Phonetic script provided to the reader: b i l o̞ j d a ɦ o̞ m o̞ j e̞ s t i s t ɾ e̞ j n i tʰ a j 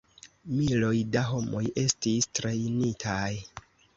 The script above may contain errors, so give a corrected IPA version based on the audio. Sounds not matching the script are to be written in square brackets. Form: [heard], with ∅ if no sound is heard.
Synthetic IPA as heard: [m] i l o̞ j d a ɦ o̞ m o̞ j e̞ s t i s t ɾ e̞ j n i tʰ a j